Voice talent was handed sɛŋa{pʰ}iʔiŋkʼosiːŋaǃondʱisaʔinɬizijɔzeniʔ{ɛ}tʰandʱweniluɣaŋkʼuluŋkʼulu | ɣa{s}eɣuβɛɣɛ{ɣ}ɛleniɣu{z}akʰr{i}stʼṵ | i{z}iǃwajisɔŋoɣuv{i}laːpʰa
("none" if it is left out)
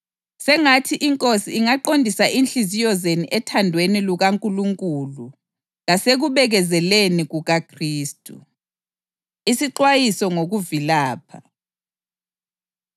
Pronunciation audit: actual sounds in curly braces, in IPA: tʰ, ɛ, s, z, ɣ, iː, s, i

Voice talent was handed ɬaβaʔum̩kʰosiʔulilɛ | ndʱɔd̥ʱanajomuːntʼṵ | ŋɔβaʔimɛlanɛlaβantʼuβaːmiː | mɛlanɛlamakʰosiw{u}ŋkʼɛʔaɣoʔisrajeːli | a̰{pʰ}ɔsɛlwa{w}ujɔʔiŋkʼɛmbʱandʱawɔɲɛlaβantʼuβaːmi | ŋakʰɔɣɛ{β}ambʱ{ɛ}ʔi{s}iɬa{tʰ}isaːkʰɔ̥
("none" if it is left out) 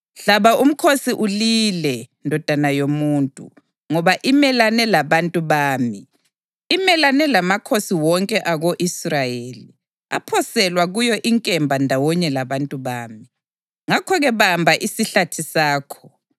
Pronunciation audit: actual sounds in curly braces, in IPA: ɔ, pʰ, ɣ, β, a, s, tʰ

